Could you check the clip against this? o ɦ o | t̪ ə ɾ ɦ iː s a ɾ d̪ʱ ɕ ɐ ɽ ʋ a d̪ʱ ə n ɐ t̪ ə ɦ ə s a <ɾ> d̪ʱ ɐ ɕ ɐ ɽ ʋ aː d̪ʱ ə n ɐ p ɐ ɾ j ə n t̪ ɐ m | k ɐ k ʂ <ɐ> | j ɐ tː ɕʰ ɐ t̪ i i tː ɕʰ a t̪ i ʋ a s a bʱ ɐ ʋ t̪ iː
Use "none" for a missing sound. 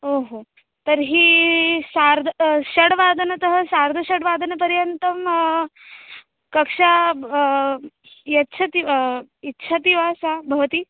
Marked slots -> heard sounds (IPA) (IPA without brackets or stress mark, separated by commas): ɾ, a